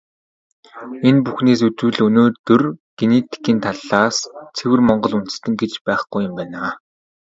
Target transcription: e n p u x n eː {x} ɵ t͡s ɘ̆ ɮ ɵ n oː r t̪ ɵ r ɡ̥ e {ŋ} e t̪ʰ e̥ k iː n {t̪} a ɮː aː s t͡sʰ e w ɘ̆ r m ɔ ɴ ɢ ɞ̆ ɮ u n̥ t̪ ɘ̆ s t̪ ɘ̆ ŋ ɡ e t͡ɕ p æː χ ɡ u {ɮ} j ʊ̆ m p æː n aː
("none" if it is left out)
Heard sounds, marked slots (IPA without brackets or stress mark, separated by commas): s, n, t̪ʰ, none